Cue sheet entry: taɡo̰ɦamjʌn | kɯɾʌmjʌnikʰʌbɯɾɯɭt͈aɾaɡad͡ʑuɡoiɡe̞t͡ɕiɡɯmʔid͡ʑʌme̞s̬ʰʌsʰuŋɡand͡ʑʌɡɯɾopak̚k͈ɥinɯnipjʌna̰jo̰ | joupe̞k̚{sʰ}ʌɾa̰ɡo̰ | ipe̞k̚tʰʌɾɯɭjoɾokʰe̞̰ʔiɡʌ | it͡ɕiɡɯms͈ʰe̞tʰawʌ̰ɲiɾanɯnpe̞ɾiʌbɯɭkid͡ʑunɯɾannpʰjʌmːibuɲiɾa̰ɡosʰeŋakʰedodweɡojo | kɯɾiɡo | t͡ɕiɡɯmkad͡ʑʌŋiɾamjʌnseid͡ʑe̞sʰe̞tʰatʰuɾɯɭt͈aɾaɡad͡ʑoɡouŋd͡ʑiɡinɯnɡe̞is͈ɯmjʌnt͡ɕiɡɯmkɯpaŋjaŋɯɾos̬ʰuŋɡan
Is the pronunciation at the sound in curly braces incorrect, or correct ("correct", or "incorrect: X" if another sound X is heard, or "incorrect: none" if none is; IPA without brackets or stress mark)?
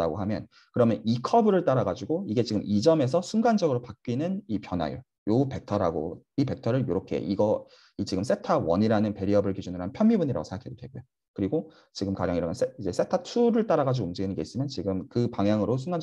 incorrect: tʰ